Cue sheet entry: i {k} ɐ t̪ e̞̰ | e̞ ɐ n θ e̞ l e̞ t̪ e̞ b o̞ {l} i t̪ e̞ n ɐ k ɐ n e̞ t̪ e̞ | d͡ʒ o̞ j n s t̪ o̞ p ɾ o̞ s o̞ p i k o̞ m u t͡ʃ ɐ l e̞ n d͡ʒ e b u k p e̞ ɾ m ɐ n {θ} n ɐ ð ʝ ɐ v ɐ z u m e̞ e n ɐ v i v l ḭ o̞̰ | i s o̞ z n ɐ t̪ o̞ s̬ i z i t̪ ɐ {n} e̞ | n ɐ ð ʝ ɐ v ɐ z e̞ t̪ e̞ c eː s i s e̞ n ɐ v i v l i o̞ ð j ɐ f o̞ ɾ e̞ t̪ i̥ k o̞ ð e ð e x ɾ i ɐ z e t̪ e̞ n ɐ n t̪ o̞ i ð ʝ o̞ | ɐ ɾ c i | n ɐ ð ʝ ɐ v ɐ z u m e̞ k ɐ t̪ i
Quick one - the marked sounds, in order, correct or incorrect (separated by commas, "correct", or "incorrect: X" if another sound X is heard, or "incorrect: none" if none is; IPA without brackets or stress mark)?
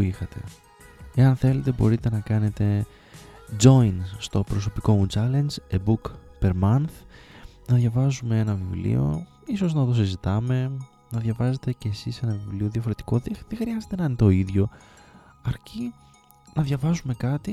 incorrect: x, incorrect: ɾ, correct, incorrect: m